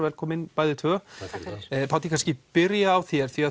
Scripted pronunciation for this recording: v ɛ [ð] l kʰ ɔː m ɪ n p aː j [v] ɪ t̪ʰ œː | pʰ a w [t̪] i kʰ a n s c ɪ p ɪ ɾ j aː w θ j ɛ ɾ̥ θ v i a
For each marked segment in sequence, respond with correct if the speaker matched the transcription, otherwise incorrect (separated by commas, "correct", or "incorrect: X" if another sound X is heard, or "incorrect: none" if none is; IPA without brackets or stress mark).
incorrect: none, incorrect: ð, correct